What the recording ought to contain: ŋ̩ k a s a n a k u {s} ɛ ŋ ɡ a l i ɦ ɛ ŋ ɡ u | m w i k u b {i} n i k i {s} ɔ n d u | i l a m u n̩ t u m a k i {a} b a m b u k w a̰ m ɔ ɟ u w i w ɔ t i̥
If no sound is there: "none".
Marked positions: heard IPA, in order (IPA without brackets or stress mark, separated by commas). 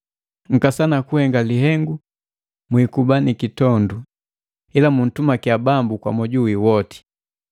h, a, t, a